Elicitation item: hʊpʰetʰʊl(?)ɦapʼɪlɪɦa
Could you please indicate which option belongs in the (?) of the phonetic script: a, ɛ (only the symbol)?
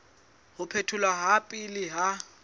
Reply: a